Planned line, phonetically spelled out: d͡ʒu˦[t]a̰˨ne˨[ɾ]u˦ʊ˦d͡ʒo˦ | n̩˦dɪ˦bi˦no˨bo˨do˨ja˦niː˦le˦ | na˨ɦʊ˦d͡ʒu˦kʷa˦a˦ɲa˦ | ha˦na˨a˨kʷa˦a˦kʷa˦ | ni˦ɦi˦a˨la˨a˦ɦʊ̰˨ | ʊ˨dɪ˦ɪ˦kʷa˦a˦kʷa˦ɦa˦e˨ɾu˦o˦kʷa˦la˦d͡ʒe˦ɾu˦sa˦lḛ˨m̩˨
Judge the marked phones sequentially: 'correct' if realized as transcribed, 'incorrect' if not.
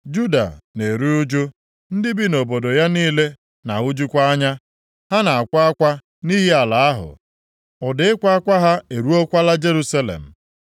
incorrect, correct

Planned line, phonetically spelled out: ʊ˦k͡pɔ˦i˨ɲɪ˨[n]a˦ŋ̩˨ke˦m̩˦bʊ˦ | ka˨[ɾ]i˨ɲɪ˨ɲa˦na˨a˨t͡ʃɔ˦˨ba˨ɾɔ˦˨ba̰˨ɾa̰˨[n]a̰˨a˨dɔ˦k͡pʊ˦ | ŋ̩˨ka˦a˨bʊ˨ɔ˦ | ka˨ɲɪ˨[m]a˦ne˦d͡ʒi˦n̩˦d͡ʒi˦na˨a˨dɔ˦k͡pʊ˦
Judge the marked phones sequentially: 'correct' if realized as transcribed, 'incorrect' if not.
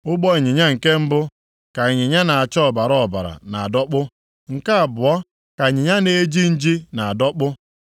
incorrect, incorrect, correct, incorrect

